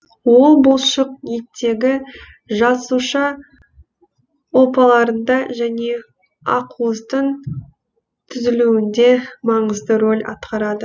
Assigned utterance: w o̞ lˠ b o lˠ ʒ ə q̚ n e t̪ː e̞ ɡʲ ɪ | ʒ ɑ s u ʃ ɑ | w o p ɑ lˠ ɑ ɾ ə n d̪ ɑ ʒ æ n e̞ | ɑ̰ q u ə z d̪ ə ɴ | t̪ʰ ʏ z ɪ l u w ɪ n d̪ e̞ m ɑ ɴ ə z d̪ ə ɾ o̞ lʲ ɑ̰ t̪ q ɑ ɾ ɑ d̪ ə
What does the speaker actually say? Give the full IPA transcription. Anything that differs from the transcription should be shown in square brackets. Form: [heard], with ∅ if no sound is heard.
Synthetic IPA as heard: w o̞ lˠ b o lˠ [ʃ] ə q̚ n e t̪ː e̞ ɡʲ ɪ | ʒ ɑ s u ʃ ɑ | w o p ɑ lˠ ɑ ɾ ə n d̪ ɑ ʒ æ n e̞ | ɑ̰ q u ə z d̪ ə ɴ | t̪ʰ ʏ z ɪ l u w ɪ n d̪ e̞ m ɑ ɴ ə z d̪ ə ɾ o̞ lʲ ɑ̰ t̪ q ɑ ɾ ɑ d̪ ə